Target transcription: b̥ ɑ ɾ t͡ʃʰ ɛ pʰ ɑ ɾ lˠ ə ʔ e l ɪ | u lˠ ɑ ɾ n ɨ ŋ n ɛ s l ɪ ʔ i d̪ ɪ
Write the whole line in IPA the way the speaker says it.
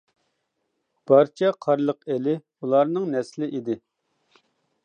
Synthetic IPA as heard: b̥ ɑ ɾ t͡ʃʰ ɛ qʰ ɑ ɾ lˠ ə q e l ɪ | u lˠ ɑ ɾ n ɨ ŋ n ɛ s l ɪ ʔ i d̪ ɪ

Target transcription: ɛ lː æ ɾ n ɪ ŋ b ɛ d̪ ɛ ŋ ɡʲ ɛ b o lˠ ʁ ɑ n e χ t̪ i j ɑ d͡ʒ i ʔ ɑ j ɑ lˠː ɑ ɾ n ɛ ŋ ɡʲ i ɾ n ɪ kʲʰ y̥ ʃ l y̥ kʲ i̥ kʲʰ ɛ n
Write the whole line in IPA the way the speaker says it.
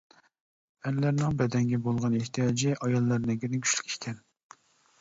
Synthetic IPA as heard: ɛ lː æ ɾ n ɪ ŋ b ɛ d̪ ɛ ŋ ɡʲ ɛ b o lˠ ʁ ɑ n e h t̪ i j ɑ d͡ʒ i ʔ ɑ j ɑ lˠː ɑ ɾ n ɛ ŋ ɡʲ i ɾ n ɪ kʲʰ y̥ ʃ l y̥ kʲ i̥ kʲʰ ɛ n

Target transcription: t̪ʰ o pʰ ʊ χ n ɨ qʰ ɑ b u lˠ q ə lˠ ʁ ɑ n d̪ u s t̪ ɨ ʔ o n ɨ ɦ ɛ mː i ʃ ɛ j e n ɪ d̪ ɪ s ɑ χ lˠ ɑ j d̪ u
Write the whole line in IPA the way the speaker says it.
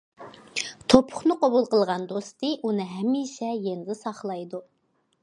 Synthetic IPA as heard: t̪ʰ o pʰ ʊ χ n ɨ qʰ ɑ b u lˠ q ə lˠ ʁ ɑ n d̪ o s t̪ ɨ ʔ u n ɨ ɦ ɛ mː i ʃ ɛ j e n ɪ d̪ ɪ s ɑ χ lˠ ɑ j d̪ u

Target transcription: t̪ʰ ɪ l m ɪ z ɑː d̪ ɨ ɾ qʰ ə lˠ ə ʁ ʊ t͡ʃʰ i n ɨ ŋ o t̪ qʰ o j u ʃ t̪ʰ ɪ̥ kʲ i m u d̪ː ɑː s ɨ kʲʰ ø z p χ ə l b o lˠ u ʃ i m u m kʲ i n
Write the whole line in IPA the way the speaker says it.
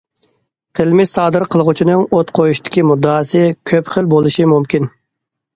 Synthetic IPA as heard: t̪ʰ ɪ l m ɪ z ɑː d̪ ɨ ɾ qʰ ə lˠ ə ʁ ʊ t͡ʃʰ i n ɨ ŋ o t̪ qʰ o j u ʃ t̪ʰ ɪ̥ kʲ i m u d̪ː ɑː s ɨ kʲʰ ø p χ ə l b o lˠ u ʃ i m u m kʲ i n

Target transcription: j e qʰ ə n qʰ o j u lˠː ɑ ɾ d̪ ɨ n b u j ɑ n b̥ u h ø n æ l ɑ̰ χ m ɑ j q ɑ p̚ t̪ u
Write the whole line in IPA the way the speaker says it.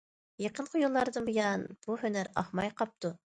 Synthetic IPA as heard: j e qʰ ə n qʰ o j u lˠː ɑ ɾ d̪ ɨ n b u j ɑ n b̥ u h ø n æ ɾ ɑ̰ χ m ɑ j q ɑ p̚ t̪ u

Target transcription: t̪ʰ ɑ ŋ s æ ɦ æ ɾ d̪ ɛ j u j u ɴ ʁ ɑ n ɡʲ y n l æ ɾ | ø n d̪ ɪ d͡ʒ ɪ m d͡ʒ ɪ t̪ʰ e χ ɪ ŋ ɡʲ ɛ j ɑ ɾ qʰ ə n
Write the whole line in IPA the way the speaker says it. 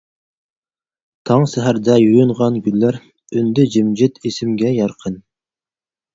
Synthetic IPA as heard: t̪ʰ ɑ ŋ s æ ɦ æ ɾ d̪ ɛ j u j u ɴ ʁ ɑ n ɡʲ y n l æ ɾ | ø n d̪ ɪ d͡ʒ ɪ m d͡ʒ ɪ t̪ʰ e s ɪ m ɡʲ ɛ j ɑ ɾ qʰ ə n

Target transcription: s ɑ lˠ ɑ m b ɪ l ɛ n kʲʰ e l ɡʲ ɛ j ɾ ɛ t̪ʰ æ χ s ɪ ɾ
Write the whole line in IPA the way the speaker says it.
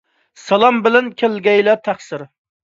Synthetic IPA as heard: s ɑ lˠ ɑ m b ɪ l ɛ n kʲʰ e l ɡʲ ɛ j l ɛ t̪ʰ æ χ s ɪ ɾ

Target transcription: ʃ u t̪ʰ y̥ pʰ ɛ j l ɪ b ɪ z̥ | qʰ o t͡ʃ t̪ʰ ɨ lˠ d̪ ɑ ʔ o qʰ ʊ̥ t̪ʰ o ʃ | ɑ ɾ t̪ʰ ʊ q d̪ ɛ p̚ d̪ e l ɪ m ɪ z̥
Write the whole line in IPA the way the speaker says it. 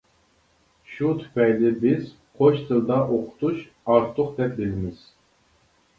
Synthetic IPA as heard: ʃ u t̪ʰ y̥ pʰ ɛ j l ɪ b ɪ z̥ | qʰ o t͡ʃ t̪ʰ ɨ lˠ d̪ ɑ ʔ o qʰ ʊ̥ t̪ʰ u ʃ | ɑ ɾ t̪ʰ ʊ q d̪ ɛ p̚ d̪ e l ɪ m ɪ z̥

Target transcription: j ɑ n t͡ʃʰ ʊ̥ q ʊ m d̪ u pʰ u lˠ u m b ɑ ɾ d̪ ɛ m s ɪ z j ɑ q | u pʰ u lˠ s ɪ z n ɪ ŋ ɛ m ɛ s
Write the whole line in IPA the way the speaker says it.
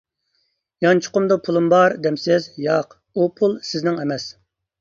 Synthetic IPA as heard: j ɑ n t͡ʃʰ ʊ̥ q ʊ m d̪ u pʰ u lˠ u m b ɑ ɾ d̪ ɛ m s ɪ z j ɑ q | u pʰ u lˠ s ɪ z n ɪ ŋ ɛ m ɛ s

